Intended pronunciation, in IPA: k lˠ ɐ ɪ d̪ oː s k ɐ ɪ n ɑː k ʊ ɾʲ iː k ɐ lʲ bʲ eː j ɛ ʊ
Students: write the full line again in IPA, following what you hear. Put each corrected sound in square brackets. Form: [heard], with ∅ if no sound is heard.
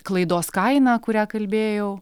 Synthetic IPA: k lˠ ɐ ɪ d̪ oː s k ɐ ɪ n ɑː k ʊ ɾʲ [æː] k ɐ lʲ bʲ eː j ɛ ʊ